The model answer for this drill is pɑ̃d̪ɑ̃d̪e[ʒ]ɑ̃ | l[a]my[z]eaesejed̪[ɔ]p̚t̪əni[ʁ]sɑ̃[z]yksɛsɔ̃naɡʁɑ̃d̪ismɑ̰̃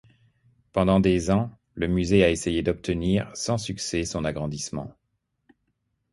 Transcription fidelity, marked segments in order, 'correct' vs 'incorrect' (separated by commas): incorrect, incorrect, correct, correct, correct, incorrect